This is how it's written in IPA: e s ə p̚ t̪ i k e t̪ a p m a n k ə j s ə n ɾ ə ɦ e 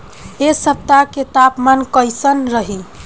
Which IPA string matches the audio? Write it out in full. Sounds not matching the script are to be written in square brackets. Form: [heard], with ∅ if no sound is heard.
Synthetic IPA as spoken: e s ə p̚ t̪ [a] k e t̪ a p m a n k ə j s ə n ɾ ə ɦ [i]